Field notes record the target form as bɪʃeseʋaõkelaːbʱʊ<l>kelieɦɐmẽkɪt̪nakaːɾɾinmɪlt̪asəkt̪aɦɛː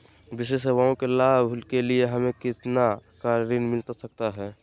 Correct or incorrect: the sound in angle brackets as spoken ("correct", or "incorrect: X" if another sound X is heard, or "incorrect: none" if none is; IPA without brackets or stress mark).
correct